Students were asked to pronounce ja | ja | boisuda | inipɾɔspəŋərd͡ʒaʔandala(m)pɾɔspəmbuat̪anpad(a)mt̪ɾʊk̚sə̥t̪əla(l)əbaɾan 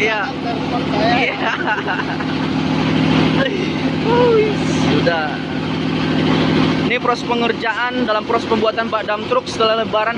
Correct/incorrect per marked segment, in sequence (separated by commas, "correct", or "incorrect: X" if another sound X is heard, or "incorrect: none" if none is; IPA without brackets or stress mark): correct, correct, correct